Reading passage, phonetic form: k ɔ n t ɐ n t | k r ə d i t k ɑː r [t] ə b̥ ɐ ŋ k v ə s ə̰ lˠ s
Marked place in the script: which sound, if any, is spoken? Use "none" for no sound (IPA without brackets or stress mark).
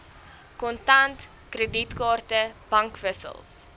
t